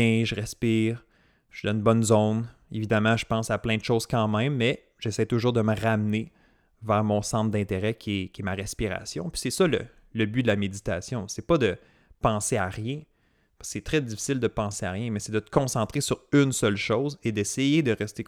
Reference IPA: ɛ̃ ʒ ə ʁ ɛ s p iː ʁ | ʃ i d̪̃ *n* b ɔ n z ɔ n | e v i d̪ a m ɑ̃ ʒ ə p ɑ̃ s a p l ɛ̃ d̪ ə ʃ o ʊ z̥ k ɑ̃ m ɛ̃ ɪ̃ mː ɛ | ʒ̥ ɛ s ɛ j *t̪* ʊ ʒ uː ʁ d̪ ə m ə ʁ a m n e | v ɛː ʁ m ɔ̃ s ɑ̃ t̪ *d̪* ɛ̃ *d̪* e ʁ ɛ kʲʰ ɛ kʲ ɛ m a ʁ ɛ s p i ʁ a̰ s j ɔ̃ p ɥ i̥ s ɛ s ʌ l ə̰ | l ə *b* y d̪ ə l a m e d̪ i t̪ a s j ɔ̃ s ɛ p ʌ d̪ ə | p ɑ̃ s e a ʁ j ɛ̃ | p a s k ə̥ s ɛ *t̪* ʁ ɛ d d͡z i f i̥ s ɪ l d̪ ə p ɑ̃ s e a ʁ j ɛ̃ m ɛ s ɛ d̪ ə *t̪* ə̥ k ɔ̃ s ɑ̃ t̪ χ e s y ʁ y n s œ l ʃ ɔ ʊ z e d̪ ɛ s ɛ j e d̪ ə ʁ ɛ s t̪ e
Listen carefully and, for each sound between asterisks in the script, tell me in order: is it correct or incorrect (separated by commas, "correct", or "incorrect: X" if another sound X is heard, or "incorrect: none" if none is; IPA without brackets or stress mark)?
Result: correct, correct, correct, incorrect: t̪, correct, correct, correct